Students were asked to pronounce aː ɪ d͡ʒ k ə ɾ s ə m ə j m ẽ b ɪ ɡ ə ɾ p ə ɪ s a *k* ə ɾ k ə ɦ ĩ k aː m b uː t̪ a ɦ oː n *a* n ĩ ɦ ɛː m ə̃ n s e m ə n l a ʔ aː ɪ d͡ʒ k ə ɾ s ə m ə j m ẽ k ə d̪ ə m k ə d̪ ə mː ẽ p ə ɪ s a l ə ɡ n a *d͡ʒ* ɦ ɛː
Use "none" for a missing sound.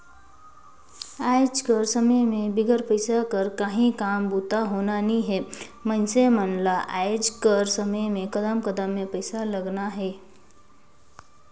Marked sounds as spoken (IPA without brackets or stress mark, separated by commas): k, a, none